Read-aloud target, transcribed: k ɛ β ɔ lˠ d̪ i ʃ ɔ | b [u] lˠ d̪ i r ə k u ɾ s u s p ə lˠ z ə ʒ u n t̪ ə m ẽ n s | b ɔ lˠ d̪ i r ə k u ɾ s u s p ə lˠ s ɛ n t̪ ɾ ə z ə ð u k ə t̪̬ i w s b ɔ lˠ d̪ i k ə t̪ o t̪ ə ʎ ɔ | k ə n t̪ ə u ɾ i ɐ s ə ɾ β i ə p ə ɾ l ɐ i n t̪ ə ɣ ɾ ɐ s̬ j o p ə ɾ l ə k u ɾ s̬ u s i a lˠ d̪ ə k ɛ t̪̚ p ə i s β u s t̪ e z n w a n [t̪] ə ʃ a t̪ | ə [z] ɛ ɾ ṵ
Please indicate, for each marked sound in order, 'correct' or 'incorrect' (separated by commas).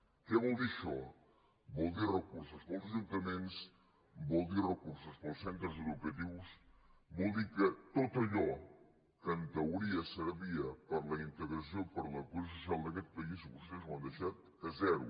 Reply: incorrect, incorrect, correct